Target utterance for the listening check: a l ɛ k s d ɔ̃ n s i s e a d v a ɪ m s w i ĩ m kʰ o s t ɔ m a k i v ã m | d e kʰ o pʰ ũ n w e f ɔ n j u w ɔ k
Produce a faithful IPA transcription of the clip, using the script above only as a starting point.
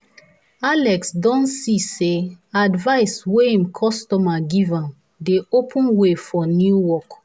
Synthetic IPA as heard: a l ɛ k s d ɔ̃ n s i s e a d v a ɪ s w e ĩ m kʰ ɔ s t ɔ m a ɡ i v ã m | d e o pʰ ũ n w e f ɔ n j u w ɔ k